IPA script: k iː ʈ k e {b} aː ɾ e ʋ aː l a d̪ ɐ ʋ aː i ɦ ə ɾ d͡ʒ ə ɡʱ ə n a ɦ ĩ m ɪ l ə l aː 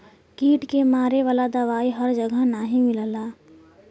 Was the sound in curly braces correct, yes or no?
no